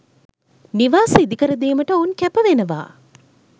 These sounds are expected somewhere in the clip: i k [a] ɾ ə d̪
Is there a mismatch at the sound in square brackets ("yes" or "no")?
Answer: yes